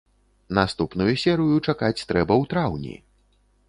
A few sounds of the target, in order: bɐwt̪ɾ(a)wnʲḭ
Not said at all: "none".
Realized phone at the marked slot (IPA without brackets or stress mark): a